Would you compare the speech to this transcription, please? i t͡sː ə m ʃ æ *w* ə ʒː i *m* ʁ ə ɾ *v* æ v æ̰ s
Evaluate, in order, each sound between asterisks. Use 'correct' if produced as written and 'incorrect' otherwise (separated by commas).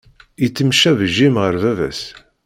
incorrect, correct, correct